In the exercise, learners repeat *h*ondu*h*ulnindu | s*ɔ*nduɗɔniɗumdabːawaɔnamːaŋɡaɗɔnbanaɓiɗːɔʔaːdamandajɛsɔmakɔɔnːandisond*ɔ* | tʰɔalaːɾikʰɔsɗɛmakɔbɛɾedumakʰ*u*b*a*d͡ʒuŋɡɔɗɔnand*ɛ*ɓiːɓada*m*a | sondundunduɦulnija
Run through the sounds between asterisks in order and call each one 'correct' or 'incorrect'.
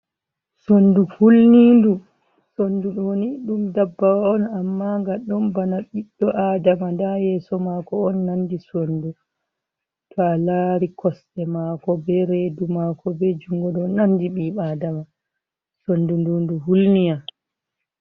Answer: incorrect: s, correct, incorrect: o, incorrect: u, incorrect: ɔ, incorrect: ɛ, incorrect: i, correct

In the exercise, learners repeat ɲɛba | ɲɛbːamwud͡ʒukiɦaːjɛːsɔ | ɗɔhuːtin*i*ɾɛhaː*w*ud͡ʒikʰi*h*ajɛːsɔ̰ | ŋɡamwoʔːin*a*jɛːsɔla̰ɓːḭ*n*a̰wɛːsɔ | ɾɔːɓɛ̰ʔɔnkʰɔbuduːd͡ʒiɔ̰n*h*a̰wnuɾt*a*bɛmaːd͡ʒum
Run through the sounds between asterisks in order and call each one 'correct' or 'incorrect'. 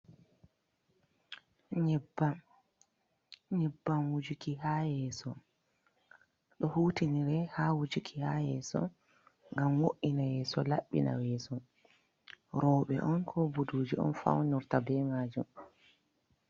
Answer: correct, correct, correct, correct, correct, incorrect: f, correct

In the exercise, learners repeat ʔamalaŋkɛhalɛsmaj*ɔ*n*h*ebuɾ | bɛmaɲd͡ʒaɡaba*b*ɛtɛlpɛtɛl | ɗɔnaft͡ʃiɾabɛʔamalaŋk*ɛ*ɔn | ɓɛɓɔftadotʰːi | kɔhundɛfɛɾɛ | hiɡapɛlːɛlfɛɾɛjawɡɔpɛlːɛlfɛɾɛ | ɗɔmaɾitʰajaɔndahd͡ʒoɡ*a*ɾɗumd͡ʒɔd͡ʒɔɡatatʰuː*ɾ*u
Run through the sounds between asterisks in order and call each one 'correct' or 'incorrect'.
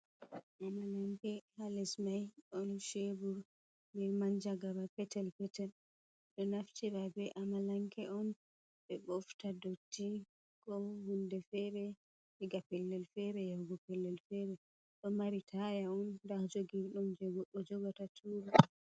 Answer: correct, incorrect: ʃ, incorrect: p, correct, incorrect: i, correct

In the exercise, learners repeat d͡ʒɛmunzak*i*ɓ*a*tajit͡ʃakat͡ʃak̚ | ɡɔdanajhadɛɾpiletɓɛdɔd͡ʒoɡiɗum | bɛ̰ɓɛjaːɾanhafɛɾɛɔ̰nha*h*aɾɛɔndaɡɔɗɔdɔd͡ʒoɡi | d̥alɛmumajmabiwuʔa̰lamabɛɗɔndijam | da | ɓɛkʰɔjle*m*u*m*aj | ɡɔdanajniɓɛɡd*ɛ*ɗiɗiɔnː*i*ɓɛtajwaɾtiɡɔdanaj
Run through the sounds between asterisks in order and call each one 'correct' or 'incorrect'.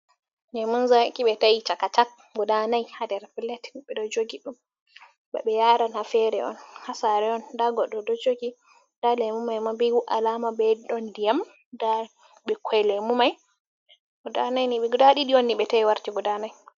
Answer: correct, incorrect: ɛ, incorrect: s, correct, correct, incorrect: a, correct

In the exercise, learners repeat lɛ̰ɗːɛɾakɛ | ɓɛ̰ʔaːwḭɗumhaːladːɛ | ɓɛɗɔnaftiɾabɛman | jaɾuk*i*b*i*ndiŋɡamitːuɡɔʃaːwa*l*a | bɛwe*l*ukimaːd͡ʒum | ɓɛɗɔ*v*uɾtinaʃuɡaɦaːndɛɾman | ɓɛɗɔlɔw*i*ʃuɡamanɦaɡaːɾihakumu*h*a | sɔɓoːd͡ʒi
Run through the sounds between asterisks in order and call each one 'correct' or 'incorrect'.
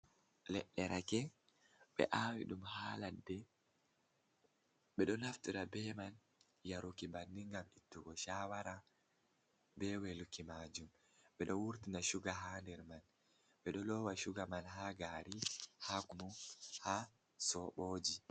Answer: correct, incorrect: a, incorrect: ɾ, correct, incorrect: w, incorrect: a, correct

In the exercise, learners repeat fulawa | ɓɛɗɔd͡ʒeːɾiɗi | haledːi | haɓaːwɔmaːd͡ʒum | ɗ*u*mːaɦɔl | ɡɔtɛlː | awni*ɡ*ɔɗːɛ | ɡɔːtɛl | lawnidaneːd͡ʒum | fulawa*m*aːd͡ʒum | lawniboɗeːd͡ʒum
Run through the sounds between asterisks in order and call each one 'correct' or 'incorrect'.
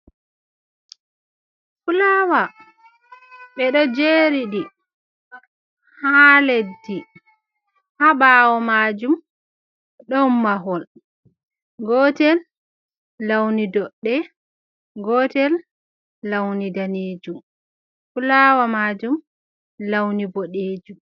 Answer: incorrect: ɔ, incorrect: d, correct

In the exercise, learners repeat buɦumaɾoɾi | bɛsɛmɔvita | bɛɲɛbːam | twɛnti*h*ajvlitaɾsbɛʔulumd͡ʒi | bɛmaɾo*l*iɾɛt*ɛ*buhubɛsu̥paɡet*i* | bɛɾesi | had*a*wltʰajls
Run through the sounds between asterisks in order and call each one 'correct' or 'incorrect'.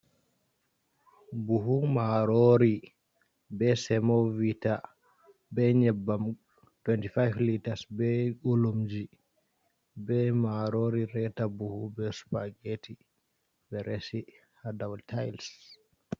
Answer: incorrect: f, incorrect: ɾ, incorrect: a, correct, correct

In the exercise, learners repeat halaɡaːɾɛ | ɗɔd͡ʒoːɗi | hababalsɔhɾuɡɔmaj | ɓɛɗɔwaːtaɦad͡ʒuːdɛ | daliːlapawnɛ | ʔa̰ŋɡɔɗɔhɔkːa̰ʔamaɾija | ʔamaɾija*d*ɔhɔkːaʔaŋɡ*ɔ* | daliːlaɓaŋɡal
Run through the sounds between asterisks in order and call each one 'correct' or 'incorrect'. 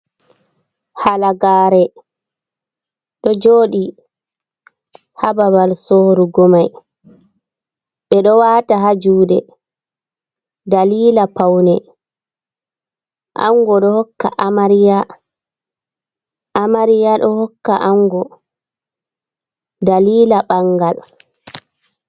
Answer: incorrect: ɗ, correct

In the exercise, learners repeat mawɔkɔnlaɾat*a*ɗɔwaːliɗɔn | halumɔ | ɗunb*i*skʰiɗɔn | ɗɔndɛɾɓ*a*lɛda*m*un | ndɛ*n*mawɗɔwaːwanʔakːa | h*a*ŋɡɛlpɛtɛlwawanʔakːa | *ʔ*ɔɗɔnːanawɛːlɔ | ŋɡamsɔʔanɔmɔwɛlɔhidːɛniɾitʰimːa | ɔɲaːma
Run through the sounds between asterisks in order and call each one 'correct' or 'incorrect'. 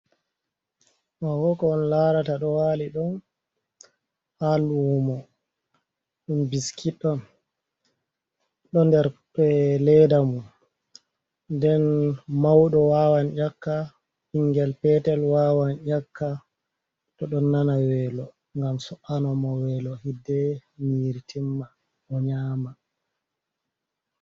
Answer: correct, correct, incorrect: ɛ, correct, correct, incorrect: i, incorrect: t

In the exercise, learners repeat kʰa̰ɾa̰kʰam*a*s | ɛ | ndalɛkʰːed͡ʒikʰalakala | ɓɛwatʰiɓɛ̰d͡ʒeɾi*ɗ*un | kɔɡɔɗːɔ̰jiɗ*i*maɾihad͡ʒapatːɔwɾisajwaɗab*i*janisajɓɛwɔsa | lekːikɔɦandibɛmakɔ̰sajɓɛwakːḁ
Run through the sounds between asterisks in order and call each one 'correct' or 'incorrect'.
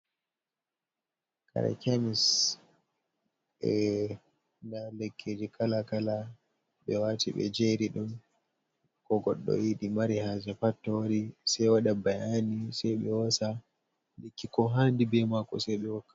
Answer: incorrect: i, correct, correct, incorrect: a

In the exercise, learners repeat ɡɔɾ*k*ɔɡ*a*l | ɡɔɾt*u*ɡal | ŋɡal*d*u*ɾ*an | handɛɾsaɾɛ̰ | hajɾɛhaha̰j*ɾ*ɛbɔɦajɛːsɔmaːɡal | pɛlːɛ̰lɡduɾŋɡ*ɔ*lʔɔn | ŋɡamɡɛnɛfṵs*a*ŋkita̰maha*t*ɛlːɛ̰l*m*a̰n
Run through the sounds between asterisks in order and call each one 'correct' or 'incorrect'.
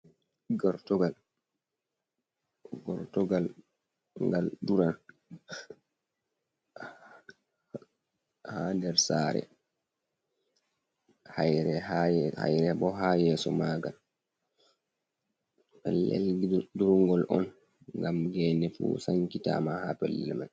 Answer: incorrect: t, correct, incorrect: ɔ, correct, correct, correct, correct, correct, incorrect: p, correct

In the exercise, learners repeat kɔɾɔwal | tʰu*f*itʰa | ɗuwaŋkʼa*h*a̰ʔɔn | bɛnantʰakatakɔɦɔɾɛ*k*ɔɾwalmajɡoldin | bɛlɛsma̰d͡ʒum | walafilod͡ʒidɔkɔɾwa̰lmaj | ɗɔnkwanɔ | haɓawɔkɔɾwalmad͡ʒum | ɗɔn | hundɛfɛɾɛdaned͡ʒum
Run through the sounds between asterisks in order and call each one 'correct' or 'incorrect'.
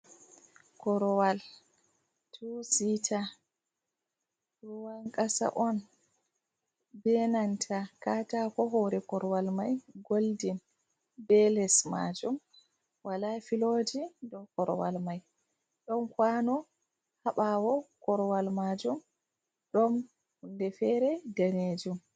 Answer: incorrect: s, incorrect: s, correct

